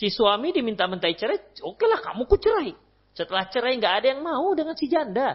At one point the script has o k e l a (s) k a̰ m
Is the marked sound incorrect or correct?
incorrect